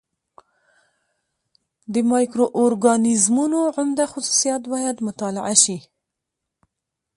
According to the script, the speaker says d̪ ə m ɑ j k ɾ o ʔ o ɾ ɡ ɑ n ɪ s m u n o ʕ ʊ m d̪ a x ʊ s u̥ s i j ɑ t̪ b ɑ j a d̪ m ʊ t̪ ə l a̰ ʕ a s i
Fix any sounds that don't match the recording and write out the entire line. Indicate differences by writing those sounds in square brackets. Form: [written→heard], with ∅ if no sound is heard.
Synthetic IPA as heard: d̪ ə m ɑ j k ɾ o ʔ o ɾ ɡ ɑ n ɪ [s→z] m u n o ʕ ʊ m d̪ a x ʊ s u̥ s i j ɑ t̪ b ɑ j a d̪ m ʊ t̪ [ə→ɑ] l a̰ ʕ a [s→ʃ] i